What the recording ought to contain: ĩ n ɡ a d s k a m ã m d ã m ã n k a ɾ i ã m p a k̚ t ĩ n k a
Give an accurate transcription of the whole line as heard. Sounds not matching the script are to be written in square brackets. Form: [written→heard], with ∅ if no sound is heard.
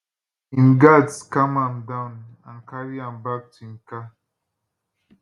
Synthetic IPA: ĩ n ɡ a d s k a m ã m d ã [m→n] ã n k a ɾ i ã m [p→b] a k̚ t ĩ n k a

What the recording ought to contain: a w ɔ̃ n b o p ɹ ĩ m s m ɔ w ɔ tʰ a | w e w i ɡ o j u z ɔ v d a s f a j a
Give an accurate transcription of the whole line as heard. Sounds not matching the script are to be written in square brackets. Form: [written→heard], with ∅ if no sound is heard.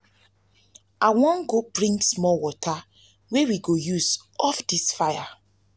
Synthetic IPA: a w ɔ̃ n [b→ɡ] o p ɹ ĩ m s m ɔ w ɔ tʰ a | w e w i ɡ o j u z ɔ [v→f] d [a→i] s f a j a

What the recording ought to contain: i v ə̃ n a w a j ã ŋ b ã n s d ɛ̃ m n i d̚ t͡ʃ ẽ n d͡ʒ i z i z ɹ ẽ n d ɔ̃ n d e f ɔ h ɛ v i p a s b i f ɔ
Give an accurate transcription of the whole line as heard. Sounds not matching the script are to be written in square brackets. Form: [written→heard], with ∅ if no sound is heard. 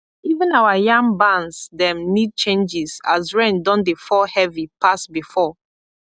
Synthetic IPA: i v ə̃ n a w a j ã ŋ b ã n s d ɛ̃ m n i d̚ t͡ʃ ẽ n d͡ʒ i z [i→a] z ɹ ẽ n d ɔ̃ n d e f ɔ h ɛ v i p a s b i f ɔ

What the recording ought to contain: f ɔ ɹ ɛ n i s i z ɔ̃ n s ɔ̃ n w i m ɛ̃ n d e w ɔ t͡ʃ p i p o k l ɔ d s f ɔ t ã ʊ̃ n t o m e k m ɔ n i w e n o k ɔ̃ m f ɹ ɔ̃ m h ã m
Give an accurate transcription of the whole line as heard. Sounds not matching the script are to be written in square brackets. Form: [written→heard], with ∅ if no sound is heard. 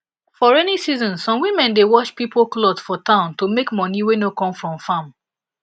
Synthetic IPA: f ɔ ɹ ɛ n i s i z ɔ̃ n s ɔ̃ [n→m] w i m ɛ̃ n d e w ɔ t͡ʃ p i p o k l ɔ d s f ɔ t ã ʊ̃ n t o m e k m ɔ n i w e n o k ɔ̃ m f ɹ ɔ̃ m [h→f] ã m

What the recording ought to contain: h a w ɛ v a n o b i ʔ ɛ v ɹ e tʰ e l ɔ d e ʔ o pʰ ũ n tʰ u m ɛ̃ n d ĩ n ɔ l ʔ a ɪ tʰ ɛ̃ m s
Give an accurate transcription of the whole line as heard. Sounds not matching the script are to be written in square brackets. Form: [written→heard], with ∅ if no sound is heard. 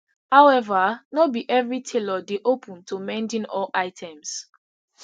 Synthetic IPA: h a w ɛ v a n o b i ʔ ɛ v ɹ [e→i] tʰ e l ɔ d e ʔ o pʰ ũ n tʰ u m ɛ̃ n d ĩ n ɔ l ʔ a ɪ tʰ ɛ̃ m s

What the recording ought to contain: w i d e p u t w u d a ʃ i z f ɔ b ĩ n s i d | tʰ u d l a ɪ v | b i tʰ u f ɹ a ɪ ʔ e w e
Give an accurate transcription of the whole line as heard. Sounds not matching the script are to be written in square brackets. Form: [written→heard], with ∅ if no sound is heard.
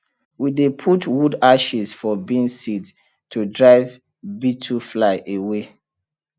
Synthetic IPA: w i d e [p→pʰ] u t w u d a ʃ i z f ɔ b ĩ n s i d | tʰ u d [l→ɹ] a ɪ v | b i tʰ u f [ɹ→l] a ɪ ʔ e w e

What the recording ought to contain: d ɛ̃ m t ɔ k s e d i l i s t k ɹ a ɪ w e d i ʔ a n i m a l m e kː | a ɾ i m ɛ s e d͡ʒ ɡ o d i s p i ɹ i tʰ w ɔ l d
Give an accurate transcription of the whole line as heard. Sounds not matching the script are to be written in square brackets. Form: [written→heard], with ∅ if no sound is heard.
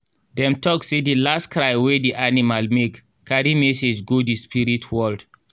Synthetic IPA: d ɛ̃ m t ɔ k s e d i l [i→a] s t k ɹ a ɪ w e d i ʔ a n i m a l m e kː | a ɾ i m ɛ s e d͡ʒ ɡ o d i s p i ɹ i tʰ w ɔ l d

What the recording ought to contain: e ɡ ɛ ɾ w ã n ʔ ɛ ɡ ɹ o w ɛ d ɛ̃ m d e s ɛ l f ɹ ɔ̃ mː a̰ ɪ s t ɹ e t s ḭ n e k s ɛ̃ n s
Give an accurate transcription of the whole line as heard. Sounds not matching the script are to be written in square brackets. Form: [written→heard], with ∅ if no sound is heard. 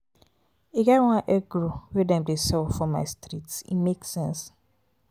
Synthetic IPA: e ɡ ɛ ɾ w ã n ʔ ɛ ɡ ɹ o w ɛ d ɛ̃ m d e s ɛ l f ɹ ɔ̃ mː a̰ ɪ s t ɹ [e→i] t s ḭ [n→m] e k s ɛ̃ n s

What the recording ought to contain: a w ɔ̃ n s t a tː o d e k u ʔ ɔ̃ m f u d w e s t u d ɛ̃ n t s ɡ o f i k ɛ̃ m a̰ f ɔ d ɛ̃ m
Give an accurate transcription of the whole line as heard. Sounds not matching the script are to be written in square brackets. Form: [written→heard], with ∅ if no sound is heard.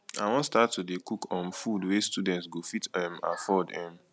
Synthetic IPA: a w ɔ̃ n s t a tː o d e k u [ʔ→k] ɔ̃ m f u d w e s t u d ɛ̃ n t s ɡ o f i [k→t] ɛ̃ m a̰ f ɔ d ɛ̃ m

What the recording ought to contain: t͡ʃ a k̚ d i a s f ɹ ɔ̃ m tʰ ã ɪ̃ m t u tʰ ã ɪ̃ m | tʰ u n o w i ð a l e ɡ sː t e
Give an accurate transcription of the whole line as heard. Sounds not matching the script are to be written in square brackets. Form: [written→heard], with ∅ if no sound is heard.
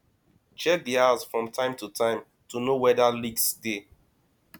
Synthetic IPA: t͡ʃ [a→ɛ] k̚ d i a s f ɹ ɔ̃ m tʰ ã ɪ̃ m t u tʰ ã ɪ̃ m | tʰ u n o w [i→ɛ] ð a l [e→i] ɡ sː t e

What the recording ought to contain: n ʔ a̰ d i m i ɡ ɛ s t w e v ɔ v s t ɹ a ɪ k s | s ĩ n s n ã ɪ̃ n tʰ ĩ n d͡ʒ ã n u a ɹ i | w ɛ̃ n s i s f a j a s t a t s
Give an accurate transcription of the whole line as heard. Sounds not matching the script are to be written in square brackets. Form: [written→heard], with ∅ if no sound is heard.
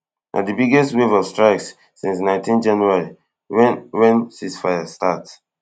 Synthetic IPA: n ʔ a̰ d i [m→b] i ɡ ɛ s t w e v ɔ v s t ɹ a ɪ k s | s ĩ n s n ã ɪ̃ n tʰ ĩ n d͡ʒ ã n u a ɹ i | w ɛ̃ n s i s f a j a s t a t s

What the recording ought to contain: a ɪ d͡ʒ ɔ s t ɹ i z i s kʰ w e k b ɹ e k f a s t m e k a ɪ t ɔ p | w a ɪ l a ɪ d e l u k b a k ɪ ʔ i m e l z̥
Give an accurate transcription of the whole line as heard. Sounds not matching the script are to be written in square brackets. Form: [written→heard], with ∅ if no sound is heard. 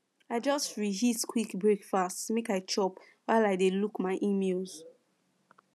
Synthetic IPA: a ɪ d͡ʒ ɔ s t ɹ i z i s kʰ w [e→i] k b ɹ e k f a s t m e k a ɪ [t→t͡ʃ] ɔ p | w a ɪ l a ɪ d e l u k [b→m] a [k→∅] ɪ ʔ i m e l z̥

